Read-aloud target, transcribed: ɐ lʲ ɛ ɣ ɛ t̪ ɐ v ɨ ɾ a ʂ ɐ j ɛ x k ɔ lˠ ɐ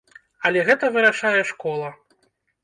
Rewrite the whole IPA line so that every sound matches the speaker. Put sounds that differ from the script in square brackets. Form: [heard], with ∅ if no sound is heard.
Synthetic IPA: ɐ lʲ ɛ ɣ ɛ t̪ ɐ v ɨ ɾ a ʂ [a] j ɛ [ʂ] k ɔ lˠ ɐ